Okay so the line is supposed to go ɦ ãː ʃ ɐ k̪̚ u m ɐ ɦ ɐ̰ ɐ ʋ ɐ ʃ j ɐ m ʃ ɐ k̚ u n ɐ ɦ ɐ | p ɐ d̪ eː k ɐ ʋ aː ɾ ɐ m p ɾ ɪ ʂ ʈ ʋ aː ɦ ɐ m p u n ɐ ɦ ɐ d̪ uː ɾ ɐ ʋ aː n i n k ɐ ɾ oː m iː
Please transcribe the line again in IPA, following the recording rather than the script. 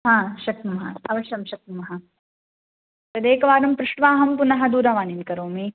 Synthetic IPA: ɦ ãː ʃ ɐ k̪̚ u m ɐ ɦ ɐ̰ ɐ ʋ ɐ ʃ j ɐ m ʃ ɐ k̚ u m ɐ ɦ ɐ | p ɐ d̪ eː k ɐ ʋ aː ɾ ɐ m p ɾ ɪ ʂ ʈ ʋ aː ɦ ɐ m p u n ɐ ɦ ɐ d̪ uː ɾ ɐ ʋ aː n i n k ɐ ɾ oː m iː